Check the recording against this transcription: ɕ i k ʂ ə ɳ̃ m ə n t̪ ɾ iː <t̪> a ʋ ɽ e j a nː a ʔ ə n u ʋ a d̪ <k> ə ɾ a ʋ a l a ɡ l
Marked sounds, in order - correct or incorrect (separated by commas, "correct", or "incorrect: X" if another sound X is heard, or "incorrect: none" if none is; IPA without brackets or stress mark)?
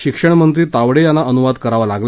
correct, correct